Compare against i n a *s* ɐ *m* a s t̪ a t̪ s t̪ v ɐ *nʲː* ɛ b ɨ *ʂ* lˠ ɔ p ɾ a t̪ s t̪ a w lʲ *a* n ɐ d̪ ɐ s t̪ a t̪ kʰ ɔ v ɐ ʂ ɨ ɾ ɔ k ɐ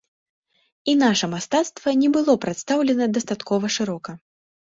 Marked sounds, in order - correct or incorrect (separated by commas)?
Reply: incorrect, correct, incorrect, incorrect, incorrect